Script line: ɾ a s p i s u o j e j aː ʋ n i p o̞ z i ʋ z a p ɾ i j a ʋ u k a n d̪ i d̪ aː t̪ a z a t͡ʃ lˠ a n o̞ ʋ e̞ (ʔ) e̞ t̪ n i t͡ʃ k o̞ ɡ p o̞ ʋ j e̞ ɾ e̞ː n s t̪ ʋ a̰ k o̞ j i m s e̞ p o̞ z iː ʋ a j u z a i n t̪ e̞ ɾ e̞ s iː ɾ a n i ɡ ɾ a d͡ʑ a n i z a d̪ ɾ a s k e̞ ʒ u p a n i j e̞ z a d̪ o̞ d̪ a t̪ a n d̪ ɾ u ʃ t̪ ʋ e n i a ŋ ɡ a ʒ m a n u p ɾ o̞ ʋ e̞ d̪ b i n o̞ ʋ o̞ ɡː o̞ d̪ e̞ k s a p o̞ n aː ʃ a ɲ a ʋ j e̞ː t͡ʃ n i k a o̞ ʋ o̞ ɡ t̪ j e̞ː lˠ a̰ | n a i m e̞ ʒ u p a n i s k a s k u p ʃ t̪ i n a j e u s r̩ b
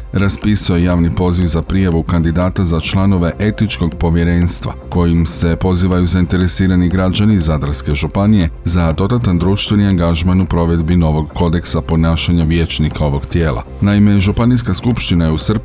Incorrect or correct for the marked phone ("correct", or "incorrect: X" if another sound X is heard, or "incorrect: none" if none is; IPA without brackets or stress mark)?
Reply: correct